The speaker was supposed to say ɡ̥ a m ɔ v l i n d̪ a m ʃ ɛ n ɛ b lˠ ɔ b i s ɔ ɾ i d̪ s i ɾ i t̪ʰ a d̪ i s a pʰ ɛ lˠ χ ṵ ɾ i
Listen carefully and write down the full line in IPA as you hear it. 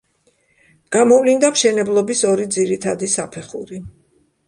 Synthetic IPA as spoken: ɡ̥ a m ɔ v l i n d̪ a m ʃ ɛ n ɛ b lˠ ɔ b i s ɔ ɾ i d̪ z i ɾ i t̪ʰ a d̪ i s a pʰ ɛ χ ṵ ɾ i